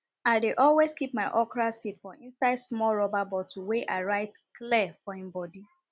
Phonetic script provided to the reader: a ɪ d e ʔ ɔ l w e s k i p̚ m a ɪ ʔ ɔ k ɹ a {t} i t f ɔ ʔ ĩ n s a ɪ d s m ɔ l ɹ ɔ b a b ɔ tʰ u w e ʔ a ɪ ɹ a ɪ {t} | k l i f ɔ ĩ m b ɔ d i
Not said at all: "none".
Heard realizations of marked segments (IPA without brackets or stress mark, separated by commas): s, t